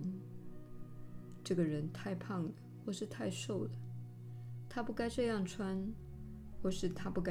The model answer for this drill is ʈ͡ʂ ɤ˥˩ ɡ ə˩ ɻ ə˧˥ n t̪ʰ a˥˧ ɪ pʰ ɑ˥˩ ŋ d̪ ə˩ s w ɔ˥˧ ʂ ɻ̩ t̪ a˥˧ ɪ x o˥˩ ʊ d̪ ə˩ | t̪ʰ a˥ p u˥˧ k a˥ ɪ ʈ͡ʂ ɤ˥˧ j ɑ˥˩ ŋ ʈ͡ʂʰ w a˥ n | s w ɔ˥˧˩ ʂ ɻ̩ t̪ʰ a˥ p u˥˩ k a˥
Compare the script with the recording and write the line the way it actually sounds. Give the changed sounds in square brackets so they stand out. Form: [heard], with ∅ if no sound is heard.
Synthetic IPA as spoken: ʈ͡ʂ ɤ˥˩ ɡ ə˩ ɻ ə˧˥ n t̪ʰ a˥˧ ɪ pʰ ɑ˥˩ ŋ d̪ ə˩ [x] w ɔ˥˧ ʂ ɻ̩ [t̪ʰ] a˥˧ ɪ [ʂ] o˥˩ ʊ d̪ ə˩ | t̪ʰ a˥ p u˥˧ k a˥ ɪ ʈ͡ʂ ɤ˥˧ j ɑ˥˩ ŋ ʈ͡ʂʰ w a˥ n | [x] w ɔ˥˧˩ ʂ ɻ̩ t̪ʰ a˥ p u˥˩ k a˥